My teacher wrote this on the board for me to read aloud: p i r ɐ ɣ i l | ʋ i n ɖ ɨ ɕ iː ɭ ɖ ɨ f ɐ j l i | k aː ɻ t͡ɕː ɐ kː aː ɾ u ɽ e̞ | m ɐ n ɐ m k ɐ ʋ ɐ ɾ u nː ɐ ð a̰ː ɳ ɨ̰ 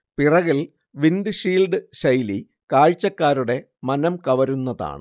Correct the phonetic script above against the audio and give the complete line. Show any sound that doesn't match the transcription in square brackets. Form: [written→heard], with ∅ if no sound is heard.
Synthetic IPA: p i r ɐ ɣ i l | ʋ i n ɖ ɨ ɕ iː [ɭ→l] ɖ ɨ [f→ɕ] ɐ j l i | k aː ɻ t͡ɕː ɐ kː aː ɾ u ɽ e̞ | m ɐ n ɐ m k ɐ ʋ ɐ ɾ u nː ɐ ð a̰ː ɳ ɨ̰